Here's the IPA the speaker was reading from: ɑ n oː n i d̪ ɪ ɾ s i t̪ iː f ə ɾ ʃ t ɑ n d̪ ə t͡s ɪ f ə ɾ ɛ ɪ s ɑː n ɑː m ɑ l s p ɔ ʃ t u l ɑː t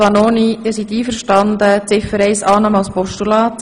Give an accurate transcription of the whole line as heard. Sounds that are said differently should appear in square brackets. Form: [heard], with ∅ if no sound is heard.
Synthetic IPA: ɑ n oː n i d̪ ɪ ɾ s i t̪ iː f ə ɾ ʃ t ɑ n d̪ ə t͡s ɪ f ə ɾ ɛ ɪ s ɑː n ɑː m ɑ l s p ɔ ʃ t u l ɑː t